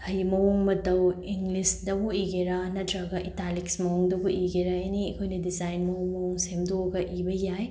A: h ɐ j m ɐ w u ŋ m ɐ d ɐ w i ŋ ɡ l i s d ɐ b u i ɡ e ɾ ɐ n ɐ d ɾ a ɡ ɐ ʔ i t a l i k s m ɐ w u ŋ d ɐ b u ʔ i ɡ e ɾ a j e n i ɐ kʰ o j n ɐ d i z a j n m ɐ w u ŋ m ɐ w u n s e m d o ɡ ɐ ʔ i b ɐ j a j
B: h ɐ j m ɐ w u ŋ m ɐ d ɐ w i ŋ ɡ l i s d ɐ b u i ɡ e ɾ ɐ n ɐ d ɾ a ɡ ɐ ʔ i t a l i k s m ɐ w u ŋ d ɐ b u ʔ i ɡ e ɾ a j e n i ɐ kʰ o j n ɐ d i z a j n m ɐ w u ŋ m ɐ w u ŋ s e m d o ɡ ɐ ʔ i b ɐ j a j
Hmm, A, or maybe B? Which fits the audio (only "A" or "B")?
B